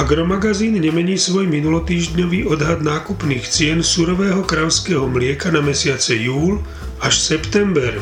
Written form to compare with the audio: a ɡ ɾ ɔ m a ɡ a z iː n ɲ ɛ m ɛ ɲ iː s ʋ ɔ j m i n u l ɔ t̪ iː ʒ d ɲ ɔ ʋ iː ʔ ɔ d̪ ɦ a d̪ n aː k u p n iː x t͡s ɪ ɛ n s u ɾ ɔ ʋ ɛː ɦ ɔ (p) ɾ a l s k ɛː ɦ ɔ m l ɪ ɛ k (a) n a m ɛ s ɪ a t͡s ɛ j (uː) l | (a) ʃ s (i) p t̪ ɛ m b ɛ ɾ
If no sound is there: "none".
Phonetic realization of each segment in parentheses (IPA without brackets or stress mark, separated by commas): k, a, uː, a, ɛ